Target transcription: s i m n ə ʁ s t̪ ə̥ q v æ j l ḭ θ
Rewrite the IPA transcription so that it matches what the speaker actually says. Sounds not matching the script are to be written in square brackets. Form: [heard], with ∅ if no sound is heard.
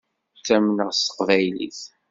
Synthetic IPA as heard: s [æ] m n ə ʁ s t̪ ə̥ q v æ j l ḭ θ